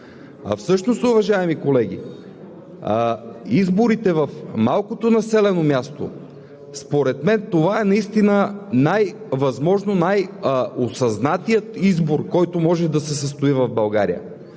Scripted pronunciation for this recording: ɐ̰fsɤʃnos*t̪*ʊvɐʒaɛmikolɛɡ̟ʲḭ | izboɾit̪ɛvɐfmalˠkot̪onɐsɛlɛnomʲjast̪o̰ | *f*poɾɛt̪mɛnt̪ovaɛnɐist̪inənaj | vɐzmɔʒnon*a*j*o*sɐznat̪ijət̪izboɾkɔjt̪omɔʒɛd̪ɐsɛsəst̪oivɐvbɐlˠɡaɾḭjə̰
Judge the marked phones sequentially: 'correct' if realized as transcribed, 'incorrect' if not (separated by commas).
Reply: correct, incorrect, correct, correct